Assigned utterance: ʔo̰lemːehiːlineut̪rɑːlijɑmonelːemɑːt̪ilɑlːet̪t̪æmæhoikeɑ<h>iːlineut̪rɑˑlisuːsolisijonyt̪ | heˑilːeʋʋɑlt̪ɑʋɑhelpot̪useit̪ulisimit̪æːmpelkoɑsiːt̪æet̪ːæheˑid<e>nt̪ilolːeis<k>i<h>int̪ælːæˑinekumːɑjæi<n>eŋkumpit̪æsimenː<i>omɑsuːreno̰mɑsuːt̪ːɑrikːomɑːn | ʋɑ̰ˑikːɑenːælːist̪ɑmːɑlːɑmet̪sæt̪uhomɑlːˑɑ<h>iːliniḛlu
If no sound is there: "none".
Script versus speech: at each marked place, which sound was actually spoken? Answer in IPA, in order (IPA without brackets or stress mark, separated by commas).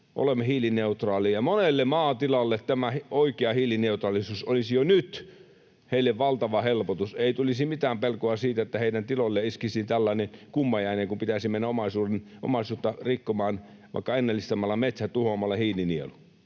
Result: h, æ, k, s, n, æ, h